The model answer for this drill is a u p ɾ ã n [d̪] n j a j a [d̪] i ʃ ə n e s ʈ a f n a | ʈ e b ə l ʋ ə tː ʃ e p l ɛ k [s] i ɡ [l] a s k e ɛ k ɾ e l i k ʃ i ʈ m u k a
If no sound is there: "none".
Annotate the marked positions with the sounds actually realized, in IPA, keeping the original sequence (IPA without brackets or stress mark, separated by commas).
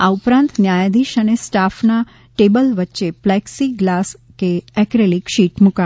t̪, d̪, s, l